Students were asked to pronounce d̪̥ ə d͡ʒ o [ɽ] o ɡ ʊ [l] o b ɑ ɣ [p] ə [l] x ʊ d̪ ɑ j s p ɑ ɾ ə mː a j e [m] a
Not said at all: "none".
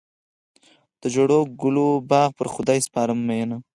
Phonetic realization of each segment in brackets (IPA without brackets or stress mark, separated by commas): ɽ, l, p, ɾ, n